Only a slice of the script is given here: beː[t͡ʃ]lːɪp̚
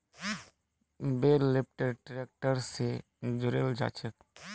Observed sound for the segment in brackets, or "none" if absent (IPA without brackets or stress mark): none